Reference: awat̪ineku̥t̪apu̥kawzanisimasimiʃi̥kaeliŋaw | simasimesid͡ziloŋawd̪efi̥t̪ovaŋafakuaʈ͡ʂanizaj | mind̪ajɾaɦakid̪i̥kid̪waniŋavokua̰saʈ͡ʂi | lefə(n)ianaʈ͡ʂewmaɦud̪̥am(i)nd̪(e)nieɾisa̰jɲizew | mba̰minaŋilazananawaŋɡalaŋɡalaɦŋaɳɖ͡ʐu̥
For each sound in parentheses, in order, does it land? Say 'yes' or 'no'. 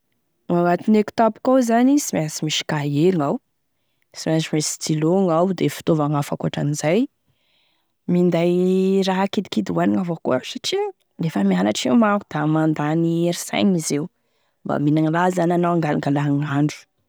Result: no, no, no

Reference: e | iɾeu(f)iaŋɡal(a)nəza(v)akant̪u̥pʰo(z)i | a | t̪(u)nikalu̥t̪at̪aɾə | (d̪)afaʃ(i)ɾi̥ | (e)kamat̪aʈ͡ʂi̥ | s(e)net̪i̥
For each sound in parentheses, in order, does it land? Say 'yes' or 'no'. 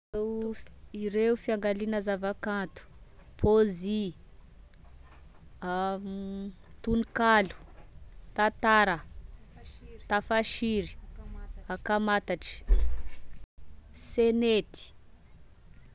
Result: yes, no, yes, yes, yes, no, yes, no, yes

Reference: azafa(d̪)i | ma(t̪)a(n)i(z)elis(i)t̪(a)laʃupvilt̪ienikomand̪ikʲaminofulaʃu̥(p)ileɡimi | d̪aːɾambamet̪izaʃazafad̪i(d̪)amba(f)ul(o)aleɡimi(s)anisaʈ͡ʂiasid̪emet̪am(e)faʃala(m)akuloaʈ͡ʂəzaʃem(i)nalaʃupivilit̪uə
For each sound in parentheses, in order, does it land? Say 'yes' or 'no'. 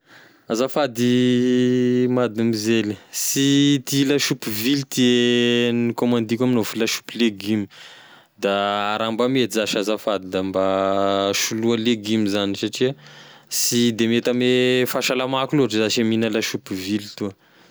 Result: yes, no, no, yes, yes, no, yes, yes, no, no, no, yes, yes, yes

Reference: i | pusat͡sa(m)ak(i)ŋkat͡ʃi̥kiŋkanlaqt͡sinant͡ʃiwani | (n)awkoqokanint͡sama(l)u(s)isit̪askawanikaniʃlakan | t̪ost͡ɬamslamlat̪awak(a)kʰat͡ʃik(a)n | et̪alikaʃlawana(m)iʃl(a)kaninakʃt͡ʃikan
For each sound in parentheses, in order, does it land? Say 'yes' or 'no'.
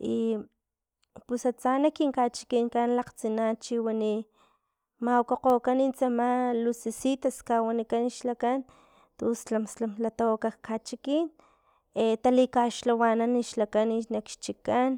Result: no, yes, no, yes, yes, yes, no, no, yes

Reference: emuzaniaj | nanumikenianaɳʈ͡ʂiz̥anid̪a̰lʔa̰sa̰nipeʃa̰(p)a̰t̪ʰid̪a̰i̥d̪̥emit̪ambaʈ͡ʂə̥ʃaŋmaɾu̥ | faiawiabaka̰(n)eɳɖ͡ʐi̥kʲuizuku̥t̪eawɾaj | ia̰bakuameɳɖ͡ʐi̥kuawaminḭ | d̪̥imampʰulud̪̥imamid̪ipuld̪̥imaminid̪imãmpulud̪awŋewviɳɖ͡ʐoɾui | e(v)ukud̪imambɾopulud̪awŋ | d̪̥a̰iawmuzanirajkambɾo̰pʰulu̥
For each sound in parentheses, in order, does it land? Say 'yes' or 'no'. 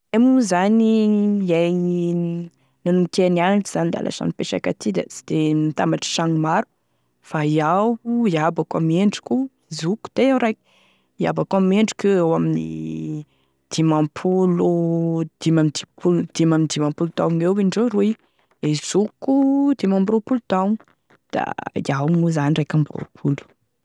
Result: no, no, no

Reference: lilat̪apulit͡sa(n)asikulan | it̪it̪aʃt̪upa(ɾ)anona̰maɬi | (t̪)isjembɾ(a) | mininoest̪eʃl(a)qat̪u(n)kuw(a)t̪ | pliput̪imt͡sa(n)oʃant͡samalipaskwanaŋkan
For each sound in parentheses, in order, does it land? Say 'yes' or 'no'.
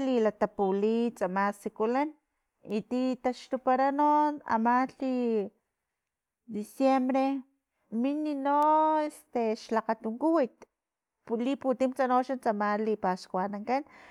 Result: no, yes, no, no, yes, no, no, yes

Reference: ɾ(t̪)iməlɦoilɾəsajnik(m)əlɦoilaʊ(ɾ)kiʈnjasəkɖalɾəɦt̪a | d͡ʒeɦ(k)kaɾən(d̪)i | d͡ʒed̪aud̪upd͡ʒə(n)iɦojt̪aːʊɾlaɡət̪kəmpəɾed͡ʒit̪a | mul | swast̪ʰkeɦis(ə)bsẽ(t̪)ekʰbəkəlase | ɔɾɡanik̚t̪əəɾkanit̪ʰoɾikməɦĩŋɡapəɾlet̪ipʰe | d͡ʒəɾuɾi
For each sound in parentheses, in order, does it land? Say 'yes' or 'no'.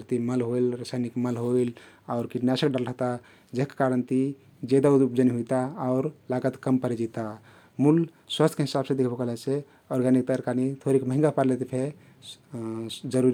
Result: yes, yes, yes, yes, no, yes, no, no

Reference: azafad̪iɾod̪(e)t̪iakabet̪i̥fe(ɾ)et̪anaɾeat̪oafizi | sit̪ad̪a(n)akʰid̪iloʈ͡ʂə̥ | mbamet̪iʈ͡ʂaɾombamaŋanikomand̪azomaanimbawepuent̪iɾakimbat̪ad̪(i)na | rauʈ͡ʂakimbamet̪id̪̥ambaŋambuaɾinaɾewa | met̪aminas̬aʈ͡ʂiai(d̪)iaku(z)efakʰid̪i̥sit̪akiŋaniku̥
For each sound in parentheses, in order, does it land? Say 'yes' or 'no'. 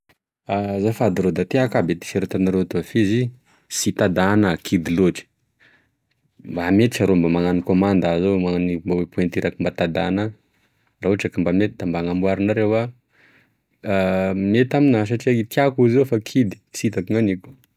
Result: no, yes, yes, no, no, yes

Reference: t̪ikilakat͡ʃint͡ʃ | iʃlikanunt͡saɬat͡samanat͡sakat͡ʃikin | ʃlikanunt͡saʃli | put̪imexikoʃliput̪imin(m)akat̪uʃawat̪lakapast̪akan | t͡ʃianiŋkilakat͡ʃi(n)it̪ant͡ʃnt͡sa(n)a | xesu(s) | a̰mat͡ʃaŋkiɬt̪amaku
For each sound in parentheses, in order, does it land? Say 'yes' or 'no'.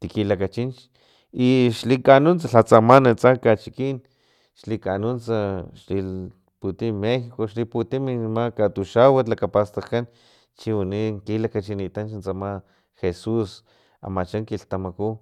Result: yes, yes, no, yes

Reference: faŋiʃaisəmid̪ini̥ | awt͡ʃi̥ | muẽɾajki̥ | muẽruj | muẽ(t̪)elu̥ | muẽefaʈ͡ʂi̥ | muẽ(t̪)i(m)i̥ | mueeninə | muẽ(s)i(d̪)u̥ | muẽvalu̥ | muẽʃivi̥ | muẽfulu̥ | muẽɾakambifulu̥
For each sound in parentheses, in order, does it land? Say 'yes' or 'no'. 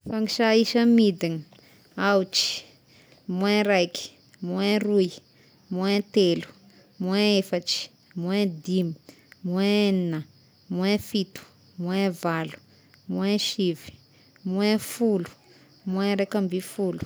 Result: yes, no, yes, no, no

